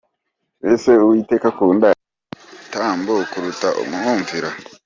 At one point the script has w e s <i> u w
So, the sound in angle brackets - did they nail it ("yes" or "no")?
no